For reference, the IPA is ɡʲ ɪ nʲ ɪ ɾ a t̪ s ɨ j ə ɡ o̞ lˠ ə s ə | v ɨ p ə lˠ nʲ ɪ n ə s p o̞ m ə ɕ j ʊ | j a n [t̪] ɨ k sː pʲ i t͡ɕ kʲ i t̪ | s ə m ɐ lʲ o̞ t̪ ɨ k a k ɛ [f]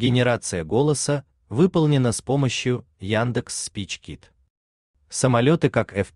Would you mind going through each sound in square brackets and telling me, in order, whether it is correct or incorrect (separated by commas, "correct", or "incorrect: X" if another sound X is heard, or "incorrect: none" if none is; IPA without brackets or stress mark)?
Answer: incorrect: d̪, correct